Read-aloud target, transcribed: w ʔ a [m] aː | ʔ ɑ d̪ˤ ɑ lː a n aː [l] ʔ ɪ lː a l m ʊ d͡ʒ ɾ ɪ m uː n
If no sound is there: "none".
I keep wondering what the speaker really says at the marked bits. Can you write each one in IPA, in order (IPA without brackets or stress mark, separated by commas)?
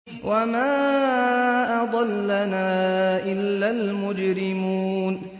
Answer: m, none